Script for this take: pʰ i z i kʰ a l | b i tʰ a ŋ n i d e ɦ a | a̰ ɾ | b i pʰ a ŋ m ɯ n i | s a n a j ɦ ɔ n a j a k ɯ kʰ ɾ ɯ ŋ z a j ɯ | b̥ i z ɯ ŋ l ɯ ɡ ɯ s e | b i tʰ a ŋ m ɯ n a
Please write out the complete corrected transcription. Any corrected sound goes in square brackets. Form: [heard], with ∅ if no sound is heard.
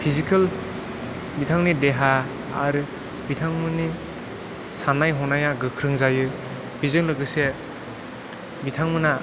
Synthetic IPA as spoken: pʰ i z i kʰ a l | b i tʰ a ŋ n i d e ɦ a | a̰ ɾ | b i [tʰ] a ŋ m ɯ n i | s a n a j ɦ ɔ n a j a [ɡ] ɯ kʰ ɾ ɯ ŋ z a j ɯ | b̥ i z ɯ ŋ l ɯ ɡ ɯ s e | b i tʰ a ŋ m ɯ n a